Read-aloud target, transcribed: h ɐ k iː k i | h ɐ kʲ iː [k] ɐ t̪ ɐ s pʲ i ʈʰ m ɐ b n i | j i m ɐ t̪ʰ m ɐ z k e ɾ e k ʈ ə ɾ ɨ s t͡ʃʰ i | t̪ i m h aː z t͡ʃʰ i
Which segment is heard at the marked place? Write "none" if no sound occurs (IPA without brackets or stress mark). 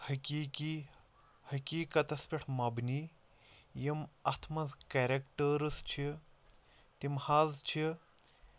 k